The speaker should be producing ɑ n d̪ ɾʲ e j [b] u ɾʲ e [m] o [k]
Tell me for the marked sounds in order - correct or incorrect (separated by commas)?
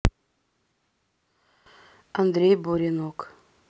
correct, incorrect, correct